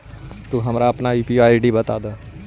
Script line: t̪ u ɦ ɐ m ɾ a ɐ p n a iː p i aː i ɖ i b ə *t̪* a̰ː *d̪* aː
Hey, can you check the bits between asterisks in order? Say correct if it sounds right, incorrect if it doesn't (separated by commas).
correct, correct